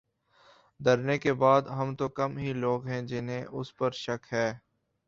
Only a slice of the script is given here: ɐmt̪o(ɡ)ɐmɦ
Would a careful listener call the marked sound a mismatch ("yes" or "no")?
yes